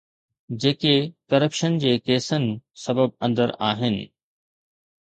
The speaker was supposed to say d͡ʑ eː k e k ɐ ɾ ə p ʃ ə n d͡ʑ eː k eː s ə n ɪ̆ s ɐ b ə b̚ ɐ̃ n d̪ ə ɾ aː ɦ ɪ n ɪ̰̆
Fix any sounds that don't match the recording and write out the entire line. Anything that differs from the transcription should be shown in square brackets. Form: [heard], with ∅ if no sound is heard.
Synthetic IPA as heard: d͡ʑ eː k e k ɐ ɾ ə p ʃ ə n d͡ʑ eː k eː s ə n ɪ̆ s ɐ b ə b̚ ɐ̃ n d̪ ə ɾ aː ɦ ɪ n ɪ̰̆